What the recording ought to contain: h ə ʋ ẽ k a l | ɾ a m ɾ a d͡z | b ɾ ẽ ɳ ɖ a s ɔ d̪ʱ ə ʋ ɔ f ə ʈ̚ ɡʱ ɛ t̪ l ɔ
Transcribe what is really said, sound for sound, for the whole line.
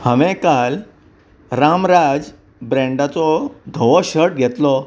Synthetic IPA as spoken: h ə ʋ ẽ k a l | ɾ a m ɾ a d͡z | b ɾ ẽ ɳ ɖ a t͡s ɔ d̪ʱ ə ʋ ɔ ɕ ə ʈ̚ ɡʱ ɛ t̪ l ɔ